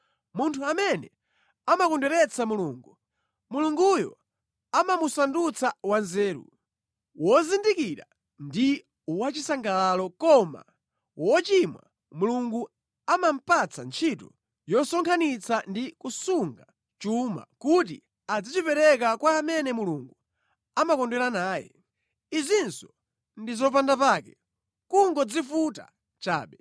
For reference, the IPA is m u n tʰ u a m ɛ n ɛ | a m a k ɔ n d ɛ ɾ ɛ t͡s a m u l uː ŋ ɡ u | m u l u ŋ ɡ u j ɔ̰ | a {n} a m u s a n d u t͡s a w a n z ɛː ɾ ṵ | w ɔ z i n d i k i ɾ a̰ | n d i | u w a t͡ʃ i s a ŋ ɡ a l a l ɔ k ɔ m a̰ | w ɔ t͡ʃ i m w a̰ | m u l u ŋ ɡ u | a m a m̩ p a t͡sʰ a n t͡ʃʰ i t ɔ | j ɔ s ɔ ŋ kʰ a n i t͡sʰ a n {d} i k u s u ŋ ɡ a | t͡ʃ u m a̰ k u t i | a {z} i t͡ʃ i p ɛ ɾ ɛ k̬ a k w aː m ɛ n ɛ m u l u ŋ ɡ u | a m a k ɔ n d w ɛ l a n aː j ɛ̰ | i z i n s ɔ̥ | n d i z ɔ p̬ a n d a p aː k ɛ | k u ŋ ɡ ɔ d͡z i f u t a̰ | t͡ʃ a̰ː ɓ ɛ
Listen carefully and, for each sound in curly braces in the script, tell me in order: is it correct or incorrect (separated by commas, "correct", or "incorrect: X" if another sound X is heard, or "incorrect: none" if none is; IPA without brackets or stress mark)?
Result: incorrect: m, correct, incorrect: d͡z